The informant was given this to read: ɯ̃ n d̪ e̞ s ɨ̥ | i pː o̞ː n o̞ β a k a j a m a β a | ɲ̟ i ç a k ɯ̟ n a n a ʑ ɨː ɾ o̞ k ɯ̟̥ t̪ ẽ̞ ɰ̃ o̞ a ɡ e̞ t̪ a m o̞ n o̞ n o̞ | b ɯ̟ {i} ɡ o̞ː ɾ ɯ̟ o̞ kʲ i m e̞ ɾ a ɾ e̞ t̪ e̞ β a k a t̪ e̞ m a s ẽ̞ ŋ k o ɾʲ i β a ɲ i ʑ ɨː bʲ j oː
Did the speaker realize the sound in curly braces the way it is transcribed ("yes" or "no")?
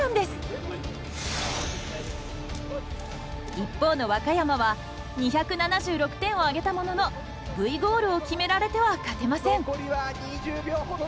yes